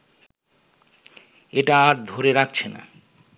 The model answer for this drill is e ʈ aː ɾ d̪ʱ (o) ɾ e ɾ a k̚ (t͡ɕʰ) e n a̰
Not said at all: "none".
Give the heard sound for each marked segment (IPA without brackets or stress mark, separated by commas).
o, t͡ɕʰ